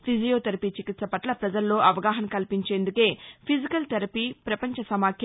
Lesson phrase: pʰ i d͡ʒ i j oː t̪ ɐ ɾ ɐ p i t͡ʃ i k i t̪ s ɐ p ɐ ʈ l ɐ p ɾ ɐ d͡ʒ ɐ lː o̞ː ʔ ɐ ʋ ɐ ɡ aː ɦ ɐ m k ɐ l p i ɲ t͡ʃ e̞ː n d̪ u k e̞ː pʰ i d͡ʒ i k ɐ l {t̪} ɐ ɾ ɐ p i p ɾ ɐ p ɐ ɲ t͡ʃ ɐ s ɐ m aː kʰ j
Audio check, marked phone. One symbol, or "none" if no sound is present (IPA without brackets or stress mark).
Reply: t̪